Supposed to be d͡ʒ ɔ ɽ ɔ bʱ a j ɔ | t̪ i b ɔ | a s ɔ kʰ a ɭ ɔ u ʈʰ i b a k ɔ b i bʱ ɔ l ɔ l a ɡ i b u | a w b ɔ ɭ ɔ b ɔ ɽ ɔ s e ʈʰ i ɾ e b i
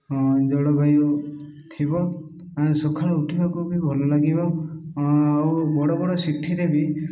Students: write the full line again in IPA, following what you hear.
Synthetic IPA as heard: d͡ʒ ɔ ɽ ɔ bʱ a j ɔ | t̪ʰ i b ɔ | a s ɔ kʰ a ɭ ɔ u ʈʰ i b a k u b i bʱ ɔ l ɔ l a ɡ i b ɔ | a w b ɔ ɽ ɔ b ɔ ɽ ɔ s i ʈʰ i ɾ e b i